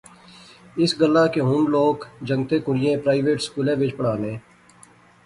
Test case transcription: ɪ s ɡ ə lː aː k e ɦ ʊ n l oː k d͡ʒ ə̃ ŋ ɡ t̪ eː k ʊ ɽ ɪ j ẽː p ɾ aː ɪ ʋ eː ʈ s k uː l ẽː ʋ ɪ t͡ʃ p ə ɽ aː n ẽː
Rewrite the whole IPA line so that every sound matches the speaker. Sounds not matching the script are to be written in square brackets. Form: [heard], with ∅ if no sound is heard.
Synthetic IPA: ɪ s ɡ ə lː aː k e ɦ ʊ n l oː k d͡ʒ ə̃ ŋ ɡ t̪ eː k ʊ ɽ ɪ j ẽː p ɾ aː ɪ ʋ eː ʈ s k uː l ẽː ʋ ɪ t͡ʃ p ə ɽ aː n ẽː